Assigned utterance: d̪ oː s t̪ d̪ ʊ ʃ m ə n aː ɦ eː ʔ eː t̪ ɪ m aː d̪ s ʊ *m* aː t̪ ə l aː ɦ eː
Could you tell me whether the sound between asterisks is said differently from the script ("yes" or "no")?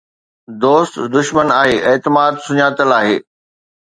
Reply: yes